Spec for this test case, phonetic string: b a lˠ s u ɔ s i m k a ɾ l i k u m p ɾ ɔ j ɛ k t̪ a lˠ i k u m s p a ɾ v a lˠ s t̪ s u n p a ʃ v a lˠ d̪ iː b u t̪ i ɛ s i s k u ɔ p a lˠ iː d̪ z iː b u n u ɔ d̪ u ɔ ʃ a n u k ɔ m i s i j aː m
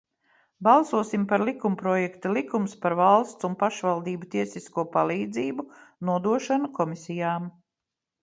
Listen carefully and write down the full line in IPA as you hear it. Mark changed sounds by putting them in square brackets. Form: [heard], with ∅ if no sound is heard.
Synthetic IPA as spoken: b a lˠ s u ɔ s i m [p] a ɾ l i k u m p ɾ ɔ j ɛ k t̪ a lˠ i k u m s p a ɾ v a lˠ s t̪ s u n p a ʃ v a lˠ d̪ iː b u t̪ i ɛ s i s k u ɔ p a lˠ iː d̪ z iː b u n u ɔ d̪ u ɔ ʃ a n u k ɔ m i s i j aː m